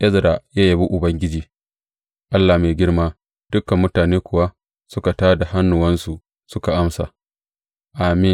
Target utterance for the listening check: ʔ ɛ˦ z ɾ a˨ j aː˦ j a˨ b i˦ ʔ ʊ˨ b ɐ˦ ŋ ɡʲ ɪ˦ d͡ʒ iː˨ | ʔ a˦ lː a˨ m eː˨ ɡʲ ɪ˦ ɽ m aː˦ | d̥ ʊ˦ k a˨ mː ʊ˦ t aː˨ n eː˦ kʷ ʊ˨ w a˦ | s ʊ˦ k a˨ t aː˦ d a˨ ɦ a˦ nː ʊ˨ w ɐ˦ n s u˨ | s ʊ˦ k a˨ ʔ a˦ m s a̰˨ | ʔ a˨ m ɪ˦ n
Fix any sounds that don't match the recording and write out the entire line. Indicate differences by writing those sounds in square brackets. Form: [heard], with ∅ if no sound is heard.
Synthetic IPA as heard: ʔ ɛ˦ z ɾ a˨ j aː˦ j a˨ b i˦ ʔ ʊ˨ b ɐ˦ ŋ ɡʲ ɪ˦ d͡ʒ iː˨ | ʔ a˦ lː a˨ m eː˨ ɡʲ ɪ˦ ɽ m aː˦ | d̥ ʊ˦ k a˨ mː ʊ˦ t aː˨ n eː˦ kʷ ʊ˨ w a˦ | s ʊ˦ k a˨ t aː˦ d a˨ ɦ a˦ nː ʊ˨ w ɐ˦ n s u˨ | s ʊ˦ k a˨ ʔ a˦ m s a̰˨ | ʔ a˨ m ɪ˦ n